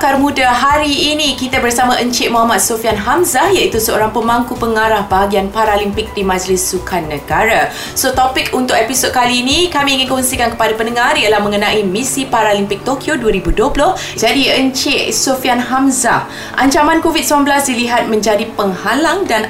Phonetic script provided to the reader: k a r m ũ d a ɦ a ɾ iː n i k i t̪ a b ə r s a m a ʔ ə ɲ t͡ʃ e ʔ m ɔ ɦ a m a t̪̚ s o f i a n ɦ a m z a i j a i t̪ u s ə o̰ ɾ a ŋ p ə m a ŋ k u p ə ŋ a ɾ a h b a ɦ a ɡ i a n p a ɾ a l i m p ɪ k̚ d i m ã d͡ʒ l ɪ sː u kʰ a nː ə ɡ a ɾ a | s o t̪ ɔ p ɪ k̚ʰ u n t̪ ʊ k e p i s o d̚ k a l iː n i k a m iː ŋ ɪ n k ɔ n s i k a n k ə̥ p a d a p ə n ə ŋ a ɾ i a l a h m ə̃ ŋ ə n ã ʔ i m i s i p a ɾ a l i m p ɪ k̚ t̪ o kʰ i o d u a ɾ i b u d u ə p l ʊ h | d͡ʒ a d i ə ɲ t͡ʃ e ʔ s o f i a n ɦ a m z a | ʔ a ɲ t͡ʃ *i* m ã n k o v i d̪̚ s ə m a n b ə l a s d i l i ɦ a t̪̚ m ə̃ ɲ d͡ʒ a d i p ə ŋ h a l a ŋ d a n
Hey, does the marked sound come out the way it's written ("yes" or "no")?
no